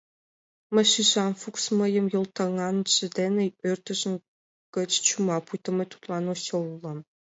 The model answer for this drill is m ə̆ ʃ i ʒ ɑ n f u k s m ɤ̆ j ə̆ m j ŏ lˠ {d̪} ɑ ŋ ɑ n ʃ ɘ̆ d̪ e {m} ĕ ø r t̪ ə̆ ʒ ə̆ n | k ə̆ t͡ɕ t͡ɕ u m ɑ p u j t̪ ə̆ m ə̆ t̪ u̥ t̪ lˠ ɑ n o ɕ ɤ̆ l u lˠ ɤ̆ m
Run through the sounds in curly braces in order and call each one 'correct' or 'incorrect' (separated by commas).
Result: incorrect, incorrect